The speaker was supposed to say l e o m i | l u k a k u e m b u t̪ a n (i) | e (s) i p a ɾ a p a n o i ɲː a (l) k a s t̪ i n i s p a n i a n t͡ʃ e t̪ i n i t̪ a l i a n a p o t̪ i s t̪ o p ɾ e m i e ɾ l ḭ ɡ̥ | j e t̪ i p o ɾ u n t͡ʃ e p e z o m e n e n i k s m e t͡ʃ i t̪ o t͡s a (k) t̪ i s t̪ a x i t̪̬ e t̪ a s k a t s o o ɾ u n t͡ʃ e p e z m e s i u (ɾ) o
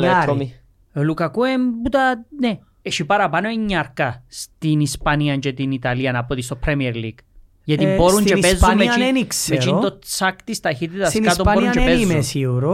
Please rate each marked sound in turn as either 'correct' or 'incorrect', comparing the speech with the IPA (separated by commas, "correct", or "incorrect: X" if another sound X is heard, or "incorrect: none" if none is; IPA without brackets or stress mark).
incorrect: e, incorrect: ʃ, incorrect: ɾ, correct, correct